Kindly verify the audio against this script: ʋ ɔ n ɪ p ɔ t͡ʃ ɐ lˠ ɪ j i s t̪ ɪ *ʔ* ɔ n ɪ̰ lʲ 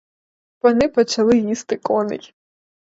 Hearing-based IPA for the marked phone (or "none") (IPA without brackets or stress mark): k